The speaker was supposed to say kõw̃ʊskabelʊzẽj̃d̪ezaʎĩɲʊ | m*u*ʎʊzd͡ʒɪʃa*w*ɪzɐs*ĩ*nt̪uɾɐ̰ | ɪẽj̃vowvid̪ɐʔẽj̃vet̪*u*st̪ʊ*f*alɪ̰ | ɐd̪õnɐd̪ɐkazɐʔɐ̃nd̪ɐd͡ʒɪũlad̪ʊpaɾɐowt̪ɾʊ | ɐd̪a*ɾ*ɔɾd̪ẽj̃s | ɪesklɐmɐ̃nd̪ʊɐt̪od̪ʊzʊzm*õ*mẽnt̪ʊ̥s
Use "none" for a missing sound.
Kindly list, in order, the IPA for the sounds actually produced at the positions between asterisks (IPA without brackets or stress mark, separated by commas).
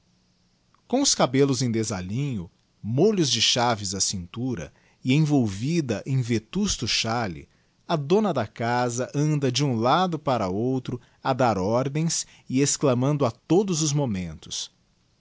o, v, ĩ, u, ʃ, ɾ, o